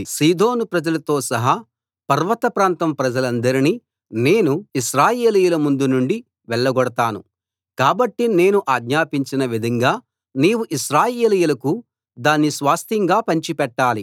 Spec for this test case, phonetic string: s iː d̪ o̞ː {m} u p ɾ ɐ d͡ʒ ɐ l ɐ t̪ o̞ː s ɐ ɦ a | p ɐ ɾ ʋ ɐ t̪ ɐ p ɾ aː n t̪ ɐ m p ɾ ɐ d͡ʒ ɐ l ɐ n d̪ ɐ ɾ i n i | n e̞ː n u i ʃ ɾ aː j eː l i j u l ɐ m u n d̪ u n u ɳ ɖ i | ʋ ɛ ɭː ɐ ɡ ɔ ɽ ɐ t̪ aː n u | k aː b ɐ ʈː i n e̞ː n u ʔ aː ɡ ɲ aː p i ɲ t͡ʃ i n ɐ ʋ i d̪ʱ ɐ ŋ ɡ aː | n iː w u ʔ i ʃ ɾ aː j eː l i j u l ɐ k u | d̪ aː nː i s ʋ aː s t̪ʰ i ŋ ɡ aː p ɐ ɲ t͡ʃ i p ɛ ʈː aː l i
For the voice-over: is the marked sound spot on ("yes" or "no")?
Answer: no